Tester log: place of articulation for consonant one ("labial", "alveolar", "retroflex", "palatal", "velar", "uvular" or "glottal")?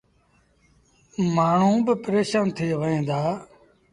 labial